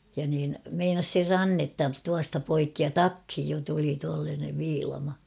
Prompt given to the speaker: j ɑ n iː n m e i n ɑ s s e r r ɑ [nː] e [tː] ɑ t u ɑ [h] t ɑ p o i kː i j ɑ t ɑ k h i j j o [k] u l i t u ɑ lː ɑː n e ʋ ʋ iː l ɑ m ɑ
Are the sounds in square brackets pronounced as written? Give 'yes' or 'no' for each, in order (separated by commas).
yes, yes, no, no